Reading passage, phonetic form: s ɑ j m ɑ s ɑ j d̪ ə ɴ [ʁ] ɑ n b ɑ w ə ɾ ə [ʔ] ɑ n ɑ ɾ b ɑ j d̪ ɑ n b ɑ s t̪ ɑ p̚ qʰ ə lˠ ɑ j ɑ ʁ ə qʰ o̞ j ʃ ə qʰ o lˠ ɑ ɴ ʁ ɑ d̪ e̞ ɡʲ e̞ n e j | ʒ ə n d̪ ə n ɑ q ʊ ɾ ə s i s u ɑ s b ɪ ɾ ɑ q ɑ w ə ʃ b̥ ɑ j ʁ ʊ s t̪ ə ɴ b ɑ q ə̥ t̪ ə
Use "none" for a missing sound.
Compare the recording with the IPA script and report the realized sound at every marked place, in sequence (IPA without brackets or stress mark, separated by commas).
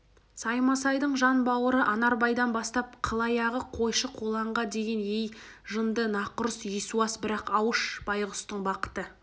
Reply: ʒ, ʔ